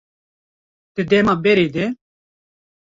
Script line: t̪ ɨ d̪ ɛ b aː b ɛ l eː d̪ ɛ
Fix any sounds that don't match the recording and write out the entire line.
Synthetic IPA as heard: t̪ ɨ d̪ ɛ m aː b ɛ ɾ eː d̪ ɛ